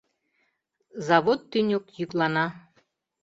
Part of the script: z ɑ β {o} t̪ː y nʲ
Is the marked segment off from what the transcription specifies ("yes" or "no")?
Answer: no